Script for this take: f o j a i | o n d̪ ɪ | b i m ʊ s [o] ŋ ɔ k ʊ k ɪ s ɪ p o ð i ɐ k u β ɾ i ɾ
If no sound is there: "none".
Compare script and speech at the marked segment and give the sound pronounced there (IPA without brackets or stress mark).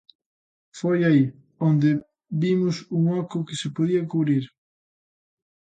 u